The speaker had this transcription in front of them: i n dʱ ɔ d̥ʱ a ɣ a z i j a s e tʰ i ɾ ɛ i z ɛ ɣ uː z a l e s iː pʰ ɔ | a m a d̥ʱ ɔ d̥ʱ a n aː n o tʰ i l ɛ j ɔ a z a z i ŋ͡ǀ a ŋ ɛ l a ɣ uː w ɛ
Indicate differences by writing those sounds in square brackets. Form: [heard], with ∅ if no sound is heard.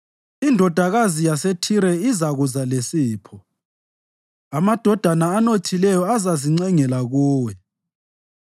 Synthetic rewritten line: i n dʱ ɔ d̥ʱ a ɣ a z i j a s e tʰ i ɾ ɛ i z [a] ɣ [u] z a l e s iː pʰ ɔ | a m a d̥ʱ ɔ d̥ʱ a n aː n o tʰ i l ɛ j ɔ a z a z i ŋ͡ǀ [ɛ] ŋ ɛ l a ɣ uː w ɛ